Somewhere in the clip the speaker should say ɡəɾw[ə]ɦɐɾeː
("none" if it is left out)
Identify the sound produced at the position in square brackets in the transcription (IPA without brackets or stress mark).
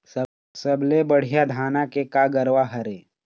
a